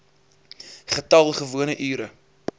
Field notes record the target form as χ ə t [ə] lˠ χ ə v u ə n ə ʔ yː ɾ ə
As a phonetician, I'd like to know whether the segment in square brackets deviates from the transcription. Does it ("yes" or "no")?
yes